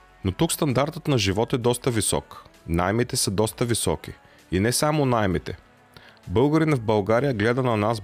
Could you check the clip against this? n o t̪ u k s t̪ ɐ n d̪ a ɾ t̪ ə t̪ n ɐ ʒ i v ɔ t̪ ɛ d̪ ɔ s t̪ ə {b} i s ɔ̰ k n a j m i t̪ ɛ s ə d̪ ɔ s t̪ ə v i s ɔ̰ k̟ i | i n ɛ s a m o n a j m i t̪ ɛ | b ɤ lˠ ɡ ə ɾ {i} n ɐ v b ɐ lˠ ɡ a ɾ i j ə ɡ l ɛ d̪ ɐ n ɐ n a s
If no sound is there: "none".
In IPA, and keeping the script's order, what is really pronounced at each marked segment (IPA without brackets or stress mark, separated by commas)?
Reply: v, i